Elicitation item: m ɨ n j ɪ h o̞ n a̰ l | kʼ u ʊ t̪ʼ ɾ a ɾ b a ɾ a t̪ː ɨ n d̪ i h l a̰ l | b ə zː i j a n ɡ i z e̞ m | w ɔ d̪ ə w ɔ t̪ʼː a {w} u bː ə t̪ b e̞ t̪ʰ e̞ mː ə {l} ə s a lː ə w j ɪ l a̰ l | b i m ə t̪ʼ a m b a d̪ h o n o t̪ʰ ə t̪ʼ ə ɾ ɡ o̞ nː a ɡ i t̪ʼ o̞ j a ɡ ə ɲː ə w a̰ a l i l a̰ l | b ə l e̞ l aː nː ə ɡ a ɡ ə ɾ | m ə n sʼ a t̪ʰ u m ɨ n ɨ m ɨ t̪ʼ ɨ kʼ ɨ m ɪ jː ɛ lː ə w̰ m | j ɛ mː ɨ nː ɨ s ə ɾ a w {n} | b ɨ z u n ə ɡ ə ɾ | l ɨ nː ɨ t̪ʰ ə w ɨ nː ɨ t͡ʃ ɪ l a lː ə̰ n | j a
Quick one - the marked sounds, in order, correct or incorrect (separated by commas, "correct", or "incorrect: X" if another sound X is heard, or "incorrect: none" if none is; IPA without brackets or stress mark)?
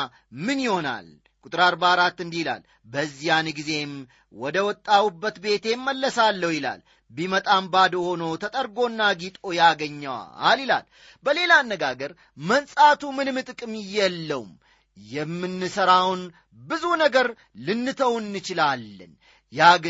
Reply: correct, incorrect: lː, correct